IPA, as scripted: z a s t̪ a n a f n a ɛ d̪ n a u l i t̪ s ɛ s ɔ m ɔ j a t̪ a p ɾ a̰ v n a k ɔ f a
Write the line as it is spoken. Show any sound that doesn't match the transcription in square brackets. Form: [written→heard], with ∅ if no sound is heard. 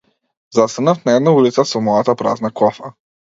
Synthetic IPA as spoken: z a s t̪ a n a f n a ɛ d̪ n a u l i t̪ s [ɛ→a] s ɔ m ɔ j a t̪ a p ɾ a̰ [v→z] n a k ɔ f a

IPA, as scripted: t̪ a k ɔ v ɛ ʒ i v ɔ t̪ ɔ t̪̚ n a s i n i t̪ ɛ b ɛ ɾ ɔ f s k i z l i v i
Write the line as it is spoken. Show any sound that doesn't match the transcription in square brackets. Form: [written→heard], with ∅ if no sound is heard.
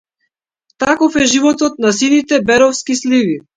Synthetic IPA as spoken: t̪ a k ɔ [v→f] ɛ ʒ i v ɔ t̪ ɔ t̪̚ n a s i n i t̪ ɛ b ɛ ɾ ɔ f s k i [z→s] l i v i

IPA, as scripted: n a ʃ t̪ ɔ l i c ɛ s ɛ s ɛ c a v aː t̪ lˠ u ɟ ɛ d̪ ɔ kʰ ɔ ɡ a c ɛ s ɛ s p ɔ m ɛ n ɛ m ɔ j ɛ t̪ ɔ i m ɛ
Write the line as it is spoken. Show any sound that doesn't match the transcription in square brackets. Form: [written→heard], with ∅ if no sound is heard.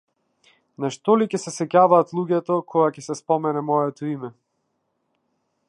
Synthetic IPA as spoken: n a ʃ t̪ ɔ l i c ɛ s ɛ s ɛ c a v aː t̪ lˠ u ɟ ɛ [d̪→t̪] ɔ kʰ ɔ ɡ a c ɛ s ɛ s p ɔ m ɛ n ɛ m ɔ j ɛ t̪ ɔ i m ɛ

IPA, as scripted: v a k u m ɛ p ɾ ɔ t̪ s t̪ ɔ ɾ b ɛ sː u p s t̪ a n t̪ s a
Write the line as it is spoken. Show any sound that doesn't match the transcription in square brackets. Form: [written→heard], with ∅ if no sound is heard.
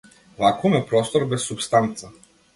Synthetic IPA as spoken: v a k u m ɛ p ɾ ɔ [t̪→∅] s t̪ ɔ ɾ b ɛ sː u p s t̪ a n t̪ s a

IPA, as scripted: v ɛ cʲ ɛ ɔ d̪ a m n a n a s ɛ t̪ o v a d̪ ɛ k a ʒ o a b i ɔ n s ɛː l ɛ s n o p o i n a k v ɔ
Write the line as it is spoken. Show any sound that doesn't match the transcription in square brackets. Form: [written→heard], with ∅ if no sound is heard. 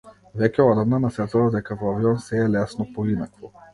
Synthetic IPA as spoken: v ɛ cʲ ɛ ɔ d̪ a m n a n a s ɛ t̪ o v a d̪ ɛ k a [ʒ→v] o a [b→v] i ɔ n s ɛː l ɛ s n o p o i n a k v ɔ

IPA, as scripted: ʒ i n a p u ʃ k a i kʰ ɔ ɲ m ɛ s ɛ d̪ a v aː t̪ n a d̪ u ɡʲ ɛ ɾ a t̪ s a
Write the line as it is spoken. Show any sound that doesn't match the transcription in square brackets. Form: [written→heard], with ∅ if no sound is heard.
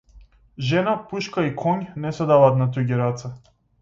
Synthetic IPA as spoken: ʒ [i→ɛ] n a p u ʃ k a i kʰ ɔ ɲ [m→n] ɛ s ɛ d̪ a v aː t̪ n a [d̪→t̪] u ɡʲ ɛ ɾ a t̪ s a

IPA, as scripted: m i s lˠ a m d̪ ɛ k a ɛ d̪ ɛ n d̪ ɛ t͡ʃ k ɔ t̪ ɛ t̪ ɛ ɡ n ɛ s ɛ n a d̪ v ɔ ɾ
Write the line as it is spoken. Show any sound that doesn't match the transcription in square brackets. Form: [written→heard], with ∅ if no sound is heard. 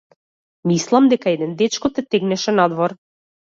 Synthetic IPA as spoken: m i s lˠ a m d̪ ɛ k a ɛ d̪ ɛ n d̪ ɛ t͡ʃ k ɔ t̪ ɛ t̪ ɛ ɡ n ɛ [s→ʃ] ɛ n a d̪ v ɔ ɾ

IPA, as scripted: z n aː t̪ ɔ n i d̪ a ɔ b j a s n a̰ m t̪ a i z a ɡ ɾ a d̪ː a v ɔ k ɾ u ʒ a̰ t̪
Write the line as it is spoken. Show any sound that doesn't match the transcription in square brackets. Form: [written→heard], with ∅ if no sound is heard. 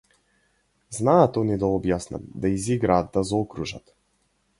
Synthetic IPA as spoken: z n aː t̪ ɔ n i d̪ a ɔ b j a s n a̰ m [t̪→d̪] a i z [a→i] ɡ ɾ a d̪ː a [v→z] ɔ k ɾ u ʒ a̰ t̪

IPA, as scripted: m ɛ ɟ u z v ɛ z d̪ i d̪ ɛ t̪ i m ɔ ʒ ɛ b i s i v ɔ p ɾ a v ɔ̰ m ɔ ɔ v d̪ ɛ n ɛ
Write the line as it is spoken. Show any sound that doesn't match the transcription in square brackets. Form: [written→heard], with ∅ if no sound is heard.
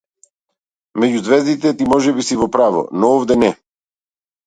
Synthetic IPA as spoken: m ɛ ɟ u z v ɛ z d̪ i [d̪→t̪] ɛ t̪ i m ɔ ʒ ɛ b i s i v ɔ p ɾ a v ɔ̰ [m→n] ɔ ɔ v d̪ ɛ n ɛ

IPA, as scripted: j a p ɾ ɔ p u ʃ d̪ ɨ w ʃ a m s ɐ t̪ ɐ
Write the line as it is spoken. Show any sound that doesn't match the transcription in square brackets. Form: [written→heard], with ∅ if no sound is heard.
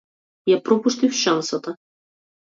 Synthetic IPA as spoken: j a p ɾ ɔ p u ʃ [d̪→t̪] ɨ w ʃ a [m→n] s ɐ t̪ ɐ

